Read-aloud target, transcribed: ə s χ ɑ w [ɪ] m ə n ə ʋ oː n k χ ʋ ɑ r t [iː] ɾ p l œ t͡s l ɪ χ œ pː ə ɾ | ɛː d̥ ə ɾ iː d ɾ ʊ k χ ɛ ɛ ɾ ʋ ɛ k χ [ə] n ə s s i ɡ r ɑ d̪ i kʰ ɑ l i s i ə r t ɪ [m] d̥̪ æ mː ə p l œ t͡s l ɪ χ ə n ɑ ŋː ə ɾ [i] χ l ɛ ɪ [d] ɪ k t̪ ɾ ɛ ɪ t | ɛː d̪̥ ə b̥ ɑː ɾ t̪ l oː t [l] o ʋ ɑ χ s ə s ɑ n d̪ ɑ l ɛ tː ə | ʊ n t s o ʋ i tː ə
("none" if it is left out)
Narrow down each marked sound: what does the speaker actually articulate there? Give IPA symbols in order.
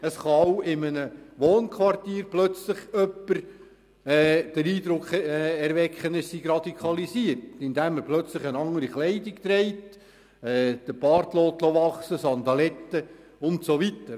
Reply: ɪ, iː, ə, n, i, d, l

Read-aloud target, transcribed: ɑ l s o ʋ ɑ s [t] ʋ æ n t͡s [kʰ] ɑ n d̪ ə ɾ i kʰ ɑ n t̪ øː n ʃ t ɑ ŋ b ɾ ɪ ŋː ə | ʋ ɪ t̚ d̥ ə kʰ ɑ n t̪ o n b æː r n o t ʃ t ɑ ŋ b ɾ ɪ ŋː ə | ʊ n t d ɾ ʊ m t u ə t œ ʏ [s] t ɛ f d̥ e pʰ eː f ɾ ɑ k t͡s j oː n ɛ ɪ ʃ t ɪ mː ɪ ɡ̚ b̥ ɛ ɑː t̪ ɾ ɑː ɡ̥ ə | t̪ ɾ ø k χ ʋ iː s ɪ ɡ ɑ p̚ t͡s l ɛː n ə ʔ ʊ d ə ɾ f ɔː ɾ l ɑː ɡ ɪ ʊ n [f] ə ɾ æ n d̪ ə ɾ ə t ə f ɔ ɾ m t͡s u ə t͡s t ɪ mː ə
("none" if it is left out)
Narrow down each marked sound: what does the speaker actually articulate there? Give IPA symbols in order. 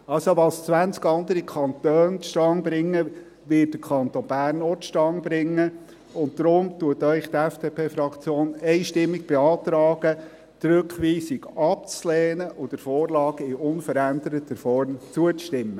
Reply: t͡s, k, χ, f

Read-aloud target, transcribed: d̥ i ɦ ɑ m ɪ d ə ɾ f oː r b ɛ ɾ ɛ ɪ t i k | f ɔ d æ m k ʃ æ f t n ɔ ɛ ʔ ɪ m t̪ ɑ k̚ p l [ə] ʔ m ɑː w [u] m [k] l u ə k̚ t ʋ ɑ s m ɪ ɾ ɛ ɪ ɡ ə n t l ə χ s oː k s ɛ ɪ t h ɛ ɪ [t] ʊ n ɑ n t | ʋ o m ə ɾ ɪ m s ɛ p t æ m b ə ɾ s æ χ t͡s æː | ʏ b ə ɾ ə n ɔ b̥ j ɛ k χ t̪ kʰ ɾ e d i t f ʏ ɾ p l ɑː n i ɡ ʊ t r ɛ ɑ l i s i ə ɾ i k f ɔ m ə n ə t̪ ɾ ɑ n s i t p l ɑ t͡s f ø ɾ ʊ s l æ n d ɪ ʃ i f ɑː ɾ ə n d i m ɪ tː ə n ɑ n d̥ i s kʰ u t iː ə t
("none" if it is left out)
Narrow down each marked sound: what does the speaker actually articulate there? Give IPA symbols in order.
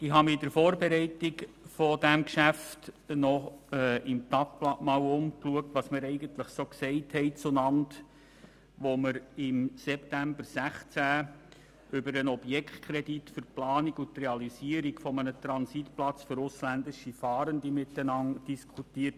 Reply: ɑ, ʊ, k, t͡s

